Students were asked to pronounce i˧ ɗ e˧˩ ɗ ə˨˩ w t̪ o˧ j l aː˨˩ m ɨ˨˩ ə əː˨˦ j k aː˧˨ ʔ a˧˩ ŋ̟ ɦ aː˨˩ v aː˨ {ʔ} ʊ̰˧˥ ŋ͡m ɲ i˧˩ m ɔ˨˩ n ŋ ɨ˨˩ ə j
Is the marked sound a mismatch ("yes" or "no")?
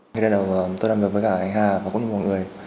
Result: yes